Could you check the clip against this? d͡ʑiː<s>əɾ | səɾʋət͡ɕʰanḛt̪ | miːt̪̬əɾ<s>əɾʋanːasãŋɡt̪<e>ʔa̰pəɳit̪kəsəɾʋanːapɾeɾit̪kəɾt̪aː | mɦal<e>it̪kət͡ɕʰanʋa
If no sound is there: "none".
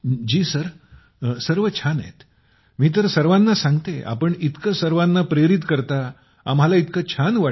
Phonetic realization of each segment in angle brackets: s, s, e, a

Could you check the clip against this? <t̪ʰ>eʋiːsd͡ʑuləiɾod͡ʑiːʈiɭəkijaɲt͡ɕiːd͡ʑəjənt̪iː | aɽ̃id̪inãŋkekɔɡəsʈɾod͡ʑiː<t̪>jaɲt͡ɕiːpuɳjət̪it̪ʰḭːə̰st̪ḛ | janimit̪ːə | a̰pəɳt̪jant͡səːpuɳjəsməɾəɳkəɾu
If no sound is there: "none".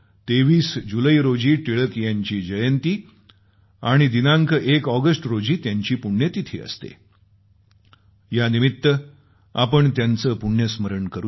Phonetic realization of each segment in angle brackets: t̪, t̪

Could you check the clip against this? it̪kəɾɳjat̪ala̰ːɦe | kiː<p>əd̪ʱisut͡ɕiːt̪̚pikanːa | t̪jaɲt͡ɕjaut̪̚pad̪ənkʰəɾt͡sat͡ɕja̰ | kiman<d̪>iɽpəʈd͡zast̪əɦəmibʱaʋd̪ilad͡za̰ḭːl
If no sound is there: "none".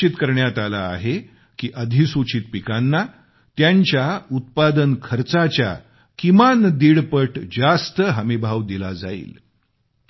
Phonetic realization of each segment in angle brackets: ʔ, d̪

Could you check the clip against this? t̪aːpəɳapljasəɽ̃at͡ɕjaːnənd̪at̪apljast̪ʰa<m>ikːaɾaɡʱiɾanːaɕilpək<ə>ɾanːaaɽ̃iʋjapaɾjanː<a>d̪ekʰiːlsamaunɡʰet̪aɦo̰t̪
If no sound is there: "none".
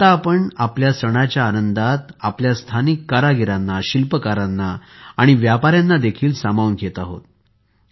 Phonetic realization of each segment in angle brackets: n, a, a

